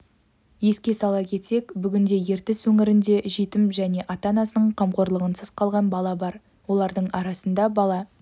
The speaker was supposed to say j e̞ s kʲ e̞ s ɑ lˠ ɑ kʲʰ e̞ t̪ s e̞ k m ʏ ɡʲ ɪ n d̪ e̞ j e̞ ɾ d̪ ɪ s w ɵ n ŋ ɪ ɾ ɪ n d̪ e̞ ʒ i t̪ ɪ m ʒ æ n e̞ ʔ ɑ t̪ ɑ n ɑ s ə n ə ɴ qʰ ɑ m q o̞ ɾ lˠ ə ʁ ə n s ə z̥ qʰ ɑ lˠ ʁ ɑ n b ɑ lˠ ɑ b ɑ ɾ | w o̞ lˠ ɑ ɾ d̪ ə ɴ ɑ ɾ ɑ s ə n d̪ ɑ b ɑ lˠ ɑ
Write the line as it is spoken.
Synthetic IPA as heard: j e̞ s kʲ e̞ s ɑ lˠ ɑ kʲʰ e̞ t̪ s e̞ k b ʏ ɡʲ ɪ n d̪ e̞ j e̞ ɾ t̪ ɪ s w ɵ ŋ ɪ ɾ ɪ n d̪ e̞ ʒ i t̪ ɪ m ʒ æ n e̞ ʔ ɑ t̪ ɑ n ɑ s ə n ə ɴ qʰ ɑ m q o̞ ɾ lˠ ə ʁ ə n s ə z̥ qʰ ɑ lˠ ʁ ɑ n b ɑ lˠ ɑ b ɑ ɾ | w o̞ lˠ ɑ ɾ d̪ ə ɴ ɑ ɾ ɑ s ə n d̪ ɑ b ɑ lˠ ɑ